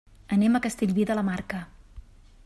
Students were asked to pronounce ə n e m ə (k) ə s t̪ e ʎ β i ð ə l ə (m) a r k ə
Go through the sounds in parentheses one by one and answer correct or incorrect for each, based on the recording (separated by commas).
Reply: correct, correct